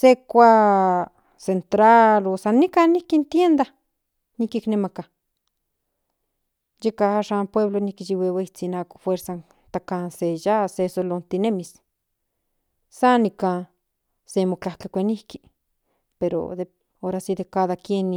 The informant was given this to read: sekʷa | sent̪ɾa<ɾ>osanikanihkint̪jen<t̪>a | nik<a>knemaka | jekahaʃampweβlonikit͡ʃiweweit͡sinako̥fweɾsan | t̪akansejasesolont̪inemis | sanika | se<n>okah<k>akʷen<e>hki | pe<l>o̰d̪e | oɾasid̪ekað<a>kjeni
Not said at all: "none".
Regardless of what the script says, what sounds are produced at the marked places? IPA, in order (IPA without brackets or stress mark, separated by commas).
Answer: l, d̪, i, m, k, i, ɾ, a